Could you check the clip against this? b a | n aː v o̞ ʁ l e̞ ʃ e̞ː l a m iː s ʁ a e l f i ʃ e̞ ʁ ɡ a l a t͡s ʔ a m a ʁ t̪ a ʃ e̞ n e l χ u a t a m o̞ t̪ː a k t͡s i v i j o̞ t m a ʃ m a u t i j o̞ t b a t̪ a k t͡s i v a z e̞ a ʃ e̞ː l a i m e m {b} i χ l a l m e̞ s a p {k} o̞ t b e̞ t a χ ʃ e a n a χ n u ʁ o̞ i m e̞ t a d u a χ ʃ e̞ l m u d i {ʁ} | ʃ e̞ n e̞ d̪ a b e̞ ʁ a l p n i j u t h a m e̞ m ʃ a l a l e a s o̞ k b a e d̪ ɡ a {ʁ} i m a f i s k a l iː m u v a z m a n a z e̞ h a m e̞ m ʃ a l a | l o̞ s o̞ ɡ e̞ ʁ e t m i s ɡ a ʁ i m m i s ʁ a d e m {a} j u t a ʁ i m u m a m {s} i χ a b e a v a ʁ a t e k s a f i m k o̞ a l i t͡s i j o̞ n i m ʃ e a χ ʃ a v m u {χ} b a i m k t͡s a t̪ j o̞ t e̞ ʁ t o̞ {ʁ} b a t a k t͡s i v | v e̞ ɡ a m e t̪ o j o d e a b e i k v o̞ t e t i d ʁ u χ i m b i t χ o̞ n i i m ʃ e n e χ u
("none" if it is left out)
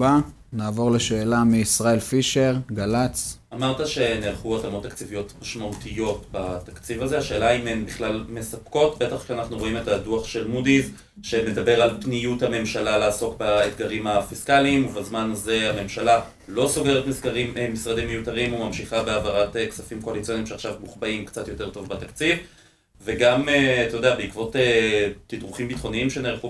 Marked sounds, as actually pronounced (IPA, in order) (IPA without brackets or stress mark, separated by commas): b, k, v, ʁ, e, ʃ, χ, v